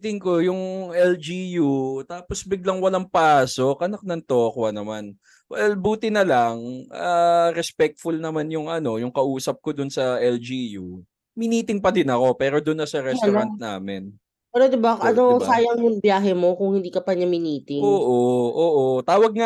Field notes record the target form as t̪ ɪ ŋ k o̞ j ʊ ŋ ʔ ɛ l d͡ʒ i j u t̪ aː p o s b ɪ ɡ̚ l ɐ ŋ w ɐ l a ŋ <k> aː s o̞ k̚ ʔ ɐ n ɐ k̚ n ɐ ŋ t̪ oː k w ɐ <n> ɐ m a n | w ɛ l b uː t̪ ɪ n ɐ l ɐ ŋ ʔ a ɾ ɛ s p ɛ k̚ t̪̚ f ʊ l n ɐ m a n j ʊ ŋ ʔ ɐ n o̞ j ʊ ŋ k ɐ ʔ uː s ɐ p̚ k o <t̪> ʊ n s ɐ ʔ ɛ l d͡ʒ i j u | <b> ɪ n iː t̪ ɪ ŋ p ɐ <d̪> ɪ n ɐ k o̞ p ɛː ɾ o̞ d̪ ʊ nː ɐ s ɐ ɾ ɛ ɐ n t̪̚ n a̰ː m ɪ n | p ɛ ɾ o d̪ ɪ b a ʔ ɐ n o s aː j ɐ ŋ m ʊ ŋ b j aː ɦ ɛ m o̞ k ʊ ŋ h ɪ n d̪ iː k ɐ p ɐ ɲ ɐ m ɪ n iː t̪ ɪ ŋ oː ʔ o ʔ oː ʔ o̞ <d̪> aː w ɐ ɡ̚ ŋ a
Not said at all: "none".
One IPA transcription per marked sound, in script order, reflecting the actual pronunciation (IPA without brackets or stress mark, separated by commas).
p, n, d̪, m, d̪, t̪